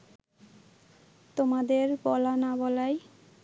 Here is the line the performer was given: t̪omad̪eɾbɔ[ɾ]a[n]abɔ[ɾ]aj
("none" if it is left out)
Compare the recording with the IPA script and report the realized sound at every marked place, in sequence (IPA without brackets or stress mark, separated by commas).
l, n, l